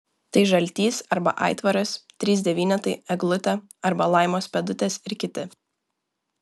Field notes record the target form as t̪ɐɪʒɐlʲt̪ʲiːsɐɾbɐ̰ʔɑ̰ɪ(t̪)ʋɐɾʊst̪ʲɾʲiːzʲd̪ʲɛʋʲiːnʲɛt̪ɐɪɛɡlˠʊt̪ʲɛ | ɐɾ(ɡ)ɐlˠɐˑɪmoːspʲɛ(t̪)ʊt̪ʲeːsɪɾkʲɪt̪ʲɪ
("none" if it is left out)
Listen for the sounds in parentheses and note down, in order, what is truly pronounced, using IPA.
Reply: t̪, b, d̪

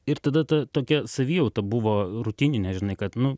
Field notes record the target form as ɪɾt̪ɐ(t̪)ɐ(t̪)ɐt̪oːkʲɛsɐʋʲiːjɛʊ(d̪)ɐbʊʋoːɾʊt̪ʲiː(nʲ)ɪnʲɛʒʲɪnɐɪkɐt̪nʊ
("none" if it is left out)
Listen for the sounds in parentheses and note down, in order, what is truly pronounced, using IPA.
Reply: d̪, t̪, t̪, nʲ

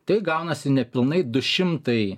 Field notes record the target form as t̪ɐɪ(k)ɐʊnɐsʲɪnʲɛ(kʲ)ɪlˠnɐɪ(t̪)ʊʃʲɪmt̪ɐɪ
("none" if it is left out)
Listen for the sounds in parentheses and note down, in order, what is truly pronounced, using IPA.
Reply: ɡ, pʲ, d̪

